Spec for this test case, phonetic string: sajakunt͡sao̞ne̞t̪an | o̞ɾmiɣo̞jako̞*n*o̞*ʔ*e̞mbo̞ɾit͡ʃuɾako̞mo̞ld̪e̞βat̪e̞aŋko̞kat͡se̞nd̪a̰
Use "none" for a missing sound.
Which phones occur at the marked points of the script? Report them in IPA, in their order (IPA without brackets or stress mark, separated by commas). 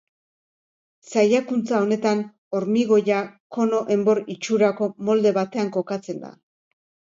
n, ʔ